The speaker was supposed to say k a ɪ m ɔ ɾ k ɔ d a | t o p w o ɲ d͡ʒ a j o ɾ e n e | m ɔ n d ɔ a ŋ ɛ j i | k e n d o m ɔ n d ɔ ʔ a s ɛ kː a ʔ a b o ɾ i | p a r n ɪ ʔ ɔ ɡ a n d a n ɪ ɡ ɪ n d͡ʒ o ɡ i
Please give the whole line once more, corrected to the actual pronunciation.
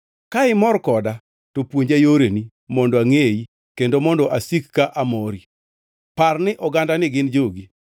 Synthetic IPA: k a ɪ m ɔ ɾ k ɔ d a | t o p w o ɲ d͡ʒ a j o ɾ e n i | m ɔ n d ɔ a ŋ e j i | k e n d o m ɔ n d ɔ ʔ a s i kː a ʔ a m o ɾ i | p a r n ɪ ʔ ɔ ɡ a n d a n ɪ ɡ ɪ n d͡ʒ o ɡ i